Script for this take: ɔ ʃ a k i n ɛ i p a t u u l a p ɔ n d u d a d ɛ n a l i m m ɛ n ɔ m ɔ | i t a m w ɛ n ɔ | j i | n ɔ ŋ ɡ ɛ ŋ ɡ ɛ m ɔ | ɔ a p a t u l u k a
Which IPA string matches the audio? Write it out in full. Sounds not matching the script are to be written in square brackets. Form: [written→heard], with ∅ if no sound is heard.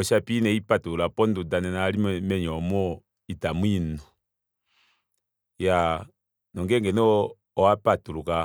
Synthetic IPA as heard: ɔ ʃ a [k→p] i n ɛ i p a t u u l a p ɔ n d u d a [d→n] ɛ n a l i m m ɛ [n→ɲ] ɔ m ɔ | i t a m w [ɛ→i] n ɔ | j [i→a] | n ɔ ŋ ɡ ɛ ŋ ɡ ɛ [m→n] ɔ | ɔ a p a t u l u k a